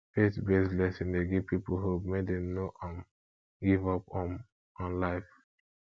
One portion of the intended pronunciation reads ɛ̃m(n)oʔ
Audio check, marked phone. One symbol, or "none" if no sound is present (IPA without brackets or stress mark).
n